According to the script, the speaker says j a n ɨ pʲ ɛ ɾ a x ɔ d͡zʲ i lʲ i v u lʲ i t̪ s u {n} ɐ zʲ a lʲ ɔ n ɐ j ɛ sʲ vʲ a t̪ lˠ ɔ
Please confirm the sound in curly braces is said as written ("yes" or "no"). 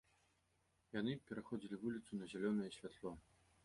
yes